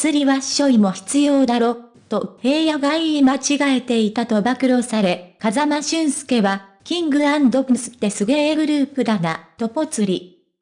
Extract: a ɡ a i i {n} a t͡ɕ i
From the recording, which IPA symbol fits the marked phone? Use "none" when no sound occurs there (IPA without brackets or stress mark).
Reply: m